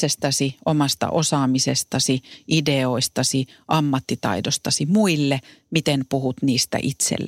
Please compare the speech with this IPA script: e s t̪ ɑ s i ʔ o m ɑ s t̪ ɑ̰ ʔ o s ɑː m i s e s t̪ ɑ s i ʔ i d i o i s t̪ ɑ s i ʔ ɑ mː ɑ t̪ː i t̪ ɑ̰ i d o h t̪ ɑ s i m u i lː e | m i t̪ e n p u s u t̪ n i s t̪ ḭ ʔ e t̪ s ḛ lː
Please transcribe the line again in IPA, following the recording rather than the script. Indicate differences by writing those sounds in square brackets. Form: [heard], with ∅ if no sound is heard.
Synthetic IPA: e s t̪ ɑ s i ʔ o m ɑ s t̪ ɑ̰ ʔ o s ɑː m i s e s t̪ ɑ s i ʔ i d [e] o i s t̪ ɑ s i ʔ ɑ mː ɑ t̪ː i t̪ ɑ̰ i d o [s] t̪ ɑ s i m u i lː e | m i t̪ e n p u [h] u t̪ n [iː] s t̪ [æ̰] ʔ [i] t̪ s ḛ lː